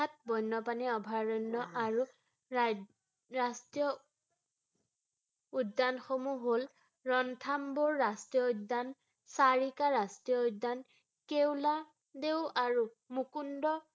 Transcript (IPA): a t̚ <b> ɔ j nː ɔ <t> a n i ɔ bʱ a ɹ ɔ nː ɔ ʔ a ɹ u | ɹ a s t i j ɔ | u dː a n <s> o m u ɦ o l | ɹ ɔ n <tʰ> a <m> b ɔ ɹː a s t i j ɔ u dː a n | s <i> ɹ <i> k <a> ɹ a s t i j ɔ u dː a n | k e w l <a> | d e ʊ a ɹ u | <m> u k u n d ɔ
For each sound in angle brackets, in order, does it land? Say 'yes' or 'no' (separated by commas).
yes, no, no, yes, yes, no, yes, yes, yes, yes